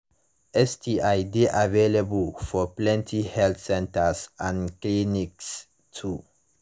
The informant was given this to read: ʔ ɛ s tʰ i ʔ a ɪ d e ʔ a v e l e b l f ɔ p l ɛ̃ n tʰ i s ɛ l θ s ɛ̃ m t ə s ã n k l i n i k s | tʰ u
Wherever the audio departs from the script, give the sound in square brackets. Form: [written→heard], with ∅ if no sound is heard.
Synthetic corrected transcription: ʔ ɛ s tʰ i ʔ a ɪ d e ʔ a v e l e b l f ɔ p l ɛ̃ n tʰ i [s→h] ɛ l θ s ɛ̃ [m→n] t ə s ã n k l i n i k s | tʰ u